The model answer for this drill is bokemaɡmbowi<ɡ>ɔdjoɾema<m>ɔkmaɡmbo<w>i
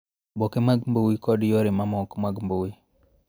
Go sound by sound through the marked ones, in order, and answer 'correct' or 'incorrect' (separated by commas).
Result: incorrect, correct, correct